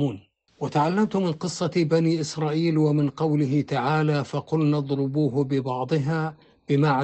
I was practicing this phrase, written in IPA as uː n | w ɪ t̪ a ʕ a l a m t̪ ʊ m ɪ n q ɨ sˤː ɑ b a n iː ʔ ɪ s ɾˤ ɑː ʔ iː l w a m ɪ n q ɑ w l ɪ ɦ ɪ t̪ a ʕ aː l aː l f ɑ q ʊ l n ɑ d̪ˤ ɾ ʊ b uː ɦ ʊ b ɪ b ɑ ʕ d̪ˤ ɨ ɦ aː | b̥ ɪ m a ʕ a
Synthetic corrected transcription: uː n | w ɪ t̪ a ʕ a lː a m t̪ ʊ m ɪ n q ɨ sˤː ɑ b a n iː ʔ ɪ s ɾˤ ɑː ʔ iː l w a m ɪ n q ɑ w l ɪ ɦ ɪ t̪ a ʕ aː l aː f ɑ q ʊ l n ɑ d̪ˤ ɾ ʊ b uː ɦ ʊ b ɪ b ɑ ʕ d̪ˤ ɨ ɦ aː | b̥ ɪ m a ʕ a